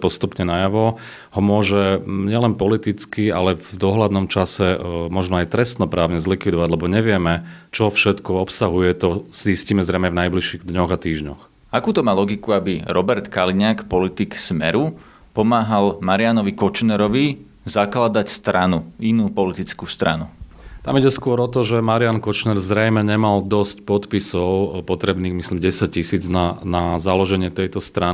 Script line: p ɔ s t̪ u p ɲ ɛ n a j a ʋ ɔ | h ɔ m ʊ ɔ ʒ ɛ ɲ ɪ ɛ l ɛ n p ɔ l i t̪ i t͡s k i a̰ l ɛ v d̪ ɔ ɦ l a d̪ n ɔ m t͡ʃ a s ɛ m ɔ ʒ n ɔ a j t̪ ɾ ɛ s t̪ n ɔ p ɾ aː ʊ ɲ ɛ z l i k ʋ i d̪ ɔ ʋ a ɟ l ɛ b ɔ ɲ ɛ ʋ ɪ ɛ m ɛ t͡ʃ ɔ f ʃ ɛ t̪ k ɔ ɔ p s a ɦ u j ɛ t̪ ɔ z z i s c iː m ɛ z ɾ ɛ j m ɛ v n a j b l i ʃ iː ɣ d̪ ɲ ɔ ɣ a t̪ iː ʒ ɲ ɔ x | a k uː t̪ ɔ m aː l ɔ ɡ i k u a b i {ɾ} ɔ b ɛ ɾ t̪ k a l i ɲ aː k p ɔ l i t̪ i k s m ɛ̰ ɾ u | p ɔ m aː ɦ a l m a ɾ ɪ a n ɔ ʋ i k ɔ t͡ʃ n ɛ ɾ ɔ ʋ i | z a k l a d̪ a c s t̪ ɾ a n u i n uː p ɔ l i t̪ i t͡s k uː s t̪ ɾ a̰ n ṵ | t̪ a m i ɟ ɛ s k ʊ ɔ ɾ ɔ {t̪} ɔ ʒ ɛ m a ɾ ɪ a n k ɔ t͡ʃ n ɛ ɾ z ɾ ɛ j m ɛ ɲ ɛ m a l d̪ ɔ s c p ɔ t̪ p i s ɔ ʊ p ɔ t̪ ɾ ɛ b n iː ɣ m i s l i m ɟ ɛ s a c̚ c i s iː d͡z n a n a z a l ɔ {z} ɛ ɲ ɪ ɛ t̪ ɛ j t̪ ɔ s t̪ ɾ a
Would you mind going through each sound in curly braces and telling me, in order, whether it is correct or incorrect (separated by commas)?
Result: correct, correct, incorrect